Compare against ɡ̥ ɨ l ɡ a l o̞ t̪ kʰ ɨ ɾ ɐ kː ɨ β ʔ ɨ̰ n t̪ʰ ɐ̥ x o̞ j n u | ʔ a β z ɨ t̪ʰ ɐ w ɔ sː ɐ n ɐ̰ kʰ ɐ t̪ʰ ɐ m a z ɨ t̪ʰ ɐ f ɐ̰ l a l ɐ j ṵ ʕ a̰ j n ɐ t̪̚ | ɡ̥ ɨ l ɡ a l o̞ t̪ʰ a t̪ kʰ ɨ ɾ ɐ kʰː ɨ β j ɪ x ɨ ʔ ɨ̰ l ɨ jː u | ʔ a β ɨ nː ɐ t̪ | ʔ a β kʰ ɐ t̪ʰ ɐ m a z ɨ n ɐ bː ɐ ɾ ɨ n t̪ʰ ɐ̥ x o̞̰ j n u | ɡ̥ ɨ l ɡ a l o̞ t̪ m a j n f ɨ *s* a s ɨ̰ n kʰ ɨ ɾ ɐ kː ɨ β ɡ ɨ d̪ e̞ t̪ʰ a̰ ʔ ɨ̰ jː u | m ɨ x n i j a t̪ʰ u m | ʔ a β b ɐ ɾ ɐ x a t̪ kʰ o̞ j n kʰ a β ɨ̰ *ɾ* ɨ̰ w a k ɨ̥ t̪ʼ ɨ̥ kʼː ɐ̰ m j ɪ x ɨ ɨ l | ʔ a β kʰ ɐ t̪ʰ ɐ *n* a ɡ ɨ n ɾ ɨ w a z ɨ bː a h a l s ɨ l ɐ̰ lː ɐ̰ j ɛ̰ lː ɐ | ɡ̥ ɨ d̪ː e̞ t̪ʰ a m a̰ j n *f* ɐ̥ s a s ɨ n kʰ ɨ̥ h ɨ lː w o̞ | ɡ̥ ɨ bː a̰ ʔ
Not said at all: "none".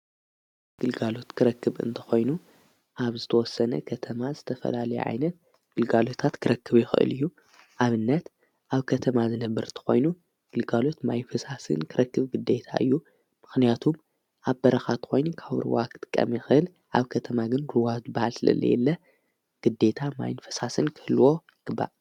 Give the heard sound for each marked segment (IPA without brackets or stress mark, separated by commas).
s, ɾ, m, f